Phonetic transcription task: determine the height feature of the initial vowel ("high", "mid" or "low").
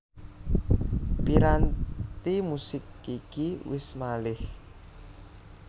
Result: high